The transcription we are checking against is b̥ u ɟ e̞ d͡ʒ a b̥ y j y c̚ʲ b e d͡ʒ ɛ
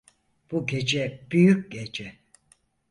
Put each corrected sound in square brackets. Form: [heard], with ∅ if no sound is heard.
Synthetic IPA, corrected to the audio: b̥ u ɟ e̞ d͡ʒ [ɛ] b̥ y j y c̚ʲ [ɟ] e d͡ʒ ɛ